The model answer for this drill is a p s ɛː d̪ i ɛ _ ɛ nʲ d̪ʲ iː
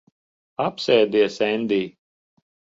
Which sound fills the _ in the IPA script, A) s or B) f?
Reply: A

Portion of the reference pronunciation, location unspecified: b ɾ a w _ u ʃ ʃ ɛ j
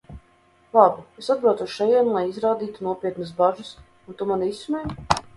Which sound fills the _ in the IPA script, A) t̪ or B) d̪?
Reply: A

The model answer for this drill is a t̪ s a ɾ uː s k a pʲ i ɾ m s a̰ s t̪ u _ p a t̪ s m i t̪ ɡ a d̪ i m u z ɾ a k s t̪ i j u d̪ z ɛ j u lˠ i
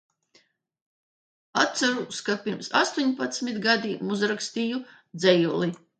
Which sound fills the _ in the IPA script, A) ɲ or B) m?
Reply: A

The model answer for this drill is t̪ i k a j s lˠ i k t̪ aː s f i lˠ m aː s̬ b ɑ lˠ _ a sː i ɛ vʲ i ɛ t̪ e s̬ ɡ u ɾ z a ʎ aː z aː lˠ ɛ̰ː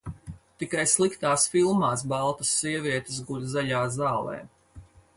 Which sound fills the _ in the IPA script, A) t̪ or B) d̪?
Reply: A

